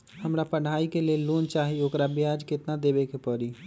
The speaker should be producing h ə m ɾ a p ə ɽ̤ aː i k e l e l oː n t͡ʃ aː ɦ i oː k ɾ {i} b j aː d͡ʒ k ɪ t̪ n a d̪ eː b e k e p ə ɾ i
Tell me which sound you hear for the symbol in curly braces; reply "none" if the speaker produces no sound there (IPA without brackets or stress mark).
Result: a